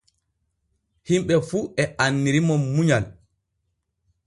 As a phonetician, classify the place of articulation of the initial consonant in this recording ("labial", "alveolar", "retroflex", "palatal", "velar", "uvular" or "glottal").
glottal